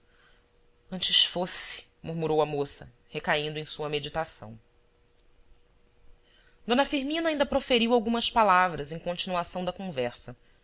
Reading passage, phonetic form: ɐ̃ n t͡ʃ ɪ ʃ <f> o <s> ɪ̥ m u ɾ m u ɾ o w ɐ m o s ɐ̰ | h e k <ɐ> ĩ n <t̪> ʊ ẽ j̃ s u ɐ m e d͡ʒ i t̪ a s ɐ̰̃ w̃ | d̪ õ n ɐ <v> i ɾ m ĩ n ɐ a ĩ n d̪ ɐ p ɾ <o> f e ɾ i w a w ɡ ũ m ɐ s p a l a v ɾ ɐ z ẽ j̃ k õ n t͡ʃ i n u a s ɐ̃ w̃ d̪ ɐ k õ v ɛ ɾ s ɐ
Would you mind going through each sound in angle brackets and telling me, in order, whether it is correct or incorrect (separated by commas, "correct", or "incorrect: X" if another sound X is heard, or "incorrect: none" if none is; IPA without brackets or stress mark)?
correct, correct, incorrect: a, incorrect: d̪, incorrect: f, correct